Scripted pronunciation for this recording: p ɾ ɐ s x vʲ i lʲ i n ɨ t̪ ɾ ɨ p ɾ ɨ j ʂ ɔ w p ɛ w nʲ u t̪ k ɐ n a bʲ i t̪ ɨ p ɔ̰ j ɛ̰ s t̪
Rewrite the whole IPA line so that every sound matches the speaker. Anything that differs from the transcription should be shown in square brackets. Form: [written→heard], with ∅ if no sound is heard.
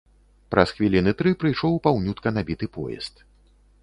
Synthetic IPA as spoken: p ɾ ɐ s x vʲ i lʲ i n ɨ t̪ ɾ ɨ p ɾ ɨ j ʂ ɔ w p [ɛ→a] w nʲ u t̪ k ɐ n a bʲ i t̪ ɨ p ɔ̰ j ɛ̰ s t̪